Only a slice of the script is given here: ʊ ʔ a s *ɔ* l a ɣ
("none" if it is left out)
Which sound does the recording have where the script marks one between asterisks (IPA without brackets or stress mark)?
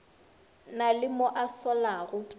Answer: ɔ